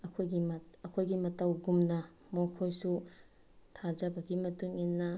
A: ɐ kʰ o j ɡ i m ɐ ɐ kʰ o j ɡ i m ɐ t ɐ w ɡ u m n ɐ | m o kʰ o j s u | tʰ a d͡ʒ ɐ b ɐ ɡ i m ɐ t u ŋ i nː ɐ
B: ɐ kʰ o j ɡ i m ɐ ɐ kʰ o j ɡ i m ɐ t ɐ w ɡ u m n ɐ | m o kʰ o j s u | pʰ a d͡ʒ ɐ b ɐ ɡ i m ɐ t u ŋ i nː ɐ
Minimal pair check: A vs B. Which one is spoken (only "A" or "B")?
A